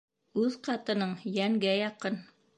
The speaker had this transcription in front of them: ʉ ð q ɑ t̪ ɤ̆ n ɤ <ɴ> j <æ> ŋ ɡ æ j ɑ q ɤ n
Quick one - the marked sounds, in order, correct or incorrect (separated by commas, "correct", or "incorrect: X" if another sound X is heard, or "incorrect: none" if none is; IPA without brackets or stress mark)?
correct, correct